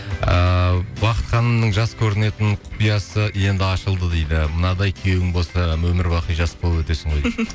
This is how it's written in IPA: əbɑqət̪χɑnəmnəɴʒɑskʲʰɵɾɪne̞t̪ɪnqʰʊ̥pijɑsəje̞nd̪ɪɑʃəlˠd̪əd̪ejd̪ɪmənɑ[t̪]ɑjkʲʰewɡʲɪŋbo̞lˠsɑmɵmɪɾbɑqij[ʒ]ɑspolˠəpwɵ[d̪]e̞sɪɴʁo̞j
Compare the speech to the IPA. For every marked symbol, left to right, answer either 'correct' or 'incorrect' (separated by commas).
incorrect, correct, incorrect